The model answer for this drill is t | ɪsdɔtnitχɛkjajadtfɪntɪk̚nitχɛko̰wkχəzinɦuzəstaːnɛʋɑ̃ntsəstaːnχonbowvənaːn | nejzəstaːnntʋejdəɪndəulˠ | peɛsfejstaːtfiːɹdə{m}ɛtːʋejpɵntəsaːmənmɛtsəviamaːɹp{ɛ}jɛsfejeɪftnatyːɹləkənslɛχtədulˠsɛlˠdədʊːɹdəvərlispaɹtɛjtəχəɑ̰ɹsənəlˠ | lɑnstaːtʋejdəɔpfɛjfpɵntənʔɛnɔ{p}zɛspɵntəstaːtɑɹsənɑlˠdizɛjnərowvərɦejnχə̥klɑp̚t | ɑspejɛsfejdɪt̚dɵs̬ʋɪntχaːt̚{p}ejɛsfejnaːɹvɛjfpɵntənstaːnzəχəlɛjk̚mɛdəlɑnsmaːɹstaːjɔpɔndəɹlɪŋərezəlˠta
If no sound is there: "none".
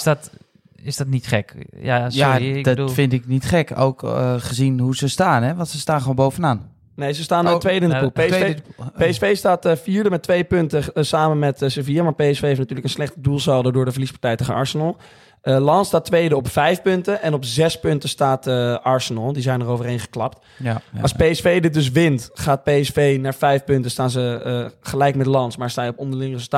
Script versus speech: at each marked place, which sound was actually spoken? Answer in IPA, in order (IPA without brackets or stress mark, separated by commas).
m, e, p, p